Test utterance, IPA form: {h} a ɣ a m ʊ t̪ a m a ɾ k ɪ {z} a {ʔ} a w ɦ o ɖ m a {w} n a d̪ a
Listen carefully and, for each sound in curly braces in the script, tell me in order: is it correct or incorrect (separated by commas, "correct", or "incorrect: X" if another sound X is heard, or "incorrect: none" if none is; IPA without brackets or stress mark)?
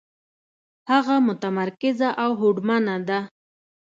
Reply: correct, correct, correct, incorrect: none